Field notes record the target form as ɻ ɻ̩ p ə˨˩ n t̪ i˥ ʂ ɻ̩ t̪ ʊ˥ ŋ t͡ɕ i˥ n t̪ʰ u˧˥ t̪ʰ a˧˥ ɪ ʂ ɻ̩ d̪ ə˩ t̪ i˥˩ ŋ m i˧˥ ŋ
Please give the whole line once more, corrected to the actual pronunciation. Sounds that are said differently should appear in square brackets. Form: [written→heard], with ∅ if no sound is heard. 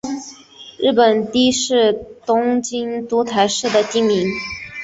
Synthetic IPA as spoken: ɻ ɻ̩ p ə˨˩ n t̪ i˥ ʂ ɻ̩ t̪ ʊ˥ ŋ t͡ɕ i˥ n [t̪ʰ→t̪] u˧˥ t̪ʰ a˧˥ ɪ ʂ ɻ̩ d̪ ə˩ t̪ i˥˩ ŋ m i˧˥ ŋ